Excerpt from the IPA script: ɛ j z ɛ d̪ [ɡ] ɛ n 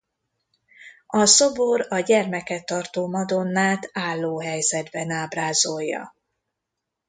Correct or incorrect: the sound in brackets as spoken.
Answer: incorrect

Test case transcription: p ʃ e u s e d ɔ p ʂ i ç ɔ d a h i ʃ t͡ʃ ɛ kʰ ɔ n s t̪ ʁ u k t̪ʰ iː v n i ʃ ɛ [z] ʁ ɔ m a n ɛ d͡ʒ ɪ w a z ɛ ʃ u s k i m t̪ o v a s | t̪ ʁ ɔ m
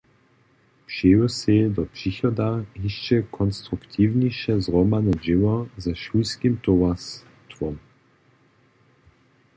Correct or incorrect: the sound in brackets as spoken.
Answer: correct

